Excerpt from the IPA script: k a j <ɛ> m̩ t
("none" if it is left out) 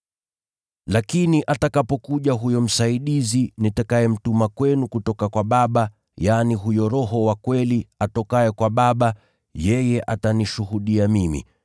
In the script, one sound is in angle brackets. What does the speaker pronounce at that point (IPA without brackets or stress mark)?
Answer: ɛ